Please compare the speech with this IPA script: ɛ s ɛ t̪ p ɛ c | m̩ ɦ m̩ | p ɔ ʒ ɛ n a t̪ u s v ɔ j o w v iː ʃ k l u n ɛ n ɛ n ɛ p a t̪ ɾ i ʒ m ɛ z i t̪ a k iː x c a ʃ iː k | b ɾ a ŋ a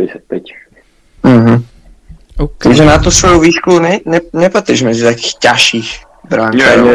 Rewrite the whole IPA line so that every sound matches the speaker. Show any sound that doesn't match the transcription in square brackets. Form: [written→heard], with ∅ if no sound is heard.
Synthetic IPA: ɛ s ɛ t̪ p ɛ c | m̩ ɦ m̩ | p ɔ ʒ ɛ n a t̪ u s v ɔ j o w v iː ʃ k l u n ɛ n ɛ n ɛ p a t̪ ɾ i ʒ m ɛ z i t̪ a k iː x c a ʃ iː [k→x] | b ɾ a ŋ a